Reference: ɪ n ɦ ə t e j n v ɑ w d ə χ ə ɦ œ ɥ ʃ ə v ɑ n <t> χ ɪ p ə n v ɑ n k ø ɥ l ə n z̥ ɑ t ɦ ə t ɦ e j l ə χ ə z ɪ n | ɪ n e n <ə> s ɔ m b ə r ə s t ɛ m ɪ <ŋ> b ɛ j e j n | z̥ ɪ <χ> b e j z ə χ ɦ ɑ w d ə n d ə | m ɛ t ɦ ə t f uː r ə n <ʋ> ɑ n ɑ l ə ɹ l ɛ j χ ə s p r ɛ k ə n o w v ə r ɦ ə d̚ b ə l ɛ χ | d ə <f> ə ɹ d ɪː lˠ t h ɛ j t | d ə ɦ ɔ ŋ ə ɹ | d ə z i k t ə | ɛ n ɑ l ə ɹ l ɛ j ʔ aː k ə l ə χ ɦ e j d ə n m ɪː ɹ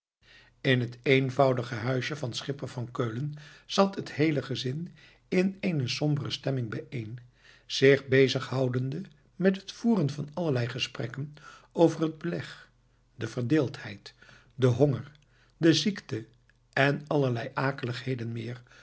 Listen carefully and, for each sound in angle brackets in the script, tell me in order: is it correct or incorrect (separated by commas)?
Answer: incorrect, correct, correct, correct, incorrect, incorrect